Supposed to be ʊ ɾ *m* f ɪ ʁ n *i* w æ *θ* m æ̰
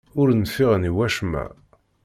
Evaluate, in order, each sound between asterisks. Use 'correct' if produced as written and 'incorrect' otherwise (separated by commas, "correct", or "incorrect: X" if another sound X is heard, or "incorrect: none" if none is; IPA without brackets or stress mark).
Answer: incorrect: n, correct, incorrect: ʃ